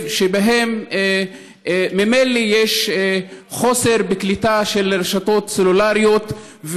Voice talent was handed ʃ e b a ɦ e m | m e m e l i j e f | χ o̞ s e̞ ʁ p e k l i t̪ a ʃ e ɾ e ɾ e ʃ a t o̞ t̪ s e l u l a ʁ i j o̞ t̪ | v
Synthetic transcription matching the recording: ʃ e b a ɦ e m | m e m e l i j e ʃ | χ o̞ s e̞ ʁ b e k l i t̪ a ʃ e l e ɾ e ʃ a t o̞ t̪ s e l u l a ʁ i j o̞ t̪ | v